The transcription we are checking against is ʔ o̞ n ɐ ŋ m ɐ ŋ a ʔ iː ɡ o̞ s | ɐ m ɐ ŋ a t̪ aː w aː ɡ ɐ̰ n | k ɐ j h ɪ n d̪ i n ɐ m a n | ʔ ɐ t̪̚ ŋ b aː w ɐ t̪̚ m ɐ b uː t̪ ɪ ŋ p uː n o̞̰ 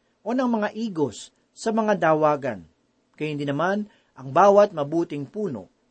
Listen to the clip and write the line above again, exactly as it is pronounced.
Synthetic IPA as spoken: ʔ o̞ n ɐ ŋ m ɐ ŋ a ʔ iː ɡ o̞ sː | ɐ m ɐ ŋ a d̪ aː w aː ɡ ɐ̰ n | k ɐ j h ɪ n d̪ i n ɐ m a n | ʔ ɐ ŋ b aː w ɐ t̪̚ m ɐ b uː t̪ ɪ ŋ p uː n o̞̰